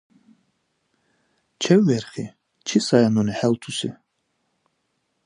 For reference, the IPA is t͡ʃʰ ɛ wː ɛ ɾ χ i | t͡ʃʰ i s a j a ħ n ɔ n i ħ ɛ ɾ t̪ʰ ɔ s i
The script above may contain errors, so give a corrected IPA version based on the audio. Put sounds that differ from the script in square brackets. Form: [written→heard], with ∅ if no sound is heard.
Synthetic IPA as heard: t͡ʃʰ ɛ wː ɛ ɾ χ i | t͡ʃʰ i s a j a [ħ→∅] n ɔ n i ħ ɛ [ɾ→l] t̪ʰ [ɔ→u] s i